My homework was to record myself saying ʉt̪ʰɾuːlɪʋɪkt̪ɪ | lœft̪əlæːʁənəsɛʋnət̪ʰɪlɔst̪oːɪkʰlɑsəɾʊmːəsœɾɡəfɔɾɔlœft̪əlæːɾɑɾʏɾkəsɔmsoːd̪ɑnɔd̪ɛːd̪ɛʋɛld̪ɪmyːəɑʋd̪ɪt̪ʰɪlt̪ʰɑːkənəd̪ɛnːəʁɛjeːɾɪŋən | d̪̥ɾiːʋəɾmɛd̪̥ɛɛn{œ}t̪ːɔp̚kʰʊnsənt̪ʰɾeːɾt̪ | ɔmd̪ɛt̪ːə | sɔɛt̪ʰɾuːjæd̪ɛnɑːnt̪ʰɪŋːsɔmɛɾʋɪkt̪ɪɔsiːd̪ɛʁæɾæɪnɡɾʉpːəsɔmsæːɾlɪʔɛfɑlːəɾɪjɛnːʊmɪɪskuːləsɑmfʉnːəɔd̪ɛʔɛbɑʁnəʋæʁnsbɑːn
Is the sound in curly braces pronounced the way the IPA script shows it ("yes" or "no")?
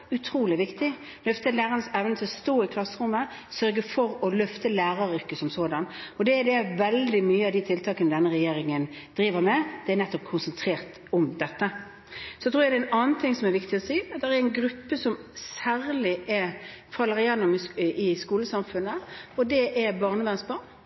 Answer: no